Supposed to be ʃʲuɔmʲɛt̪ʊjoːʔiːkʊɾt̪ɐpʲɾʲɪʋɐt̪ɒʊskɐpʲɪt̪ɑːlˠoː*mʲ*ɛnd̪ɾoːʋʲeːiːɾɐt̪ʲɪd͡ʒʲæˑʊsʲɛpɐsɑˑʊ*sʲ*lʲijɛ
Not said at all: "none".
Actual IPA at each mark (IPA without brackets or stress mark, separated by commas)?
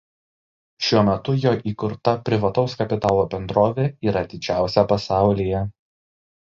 bʲ, none